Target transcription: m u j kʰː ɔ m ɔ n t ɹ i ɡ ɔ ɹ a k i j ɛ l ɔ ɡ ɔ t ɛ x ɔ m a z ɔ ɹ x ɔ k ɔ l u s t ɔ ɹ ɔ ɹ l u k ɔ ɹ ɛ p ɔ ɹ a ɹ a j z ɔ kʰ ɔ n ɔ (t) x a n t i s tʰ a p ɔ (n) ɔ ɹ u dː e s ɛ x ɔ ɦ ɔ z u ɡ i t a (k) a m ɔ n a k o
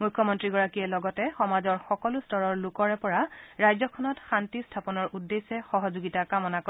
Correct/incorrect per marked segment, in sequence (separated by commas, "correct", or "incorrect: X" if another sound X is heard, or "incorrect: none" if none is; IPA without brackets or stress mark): correct, correct, correct